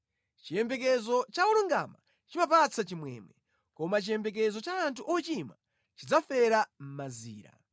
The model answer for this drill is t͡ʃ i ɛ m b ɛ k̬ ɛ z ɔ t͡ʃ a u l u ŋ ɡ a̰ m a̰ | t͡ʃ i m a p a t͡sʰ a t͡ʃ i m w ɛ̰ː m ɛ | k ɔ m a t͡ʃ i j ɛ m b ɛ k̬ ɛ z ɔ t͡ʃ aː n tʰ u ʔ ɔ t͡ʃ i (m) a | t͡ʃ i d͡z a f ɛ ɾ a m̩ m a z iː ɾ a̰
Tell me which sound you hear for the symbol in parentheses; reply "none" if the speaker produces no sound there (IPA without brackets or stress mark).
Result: m